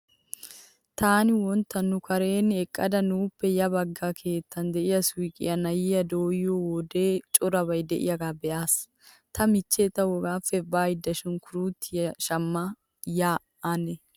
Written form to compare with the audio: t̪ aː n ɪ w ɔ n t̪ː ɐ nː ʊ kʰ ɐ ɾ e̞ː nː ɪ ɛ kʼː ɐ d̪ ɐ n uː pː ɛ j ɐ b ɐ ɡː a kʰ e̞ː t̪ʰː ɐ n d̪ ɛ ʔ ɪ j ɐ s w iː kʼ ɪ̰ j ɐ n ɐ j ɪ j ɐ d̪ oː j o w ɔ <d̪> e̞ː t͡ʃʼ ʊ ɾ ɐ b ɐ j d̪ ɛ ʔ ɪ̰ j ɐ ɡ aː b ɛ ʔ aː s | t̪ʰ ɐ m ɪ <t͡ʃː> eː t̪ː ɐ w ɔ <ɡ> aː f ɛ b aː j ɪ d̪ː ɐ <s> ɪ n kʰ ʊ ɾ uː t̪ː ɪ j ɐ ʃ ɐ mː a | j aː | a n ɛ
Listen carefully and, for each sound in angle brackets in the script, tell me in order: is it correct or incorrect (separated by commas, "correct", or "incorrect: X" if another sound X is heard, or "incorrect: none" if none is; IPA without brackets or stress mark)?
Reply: correct, correct, correct, incorrect: ʃ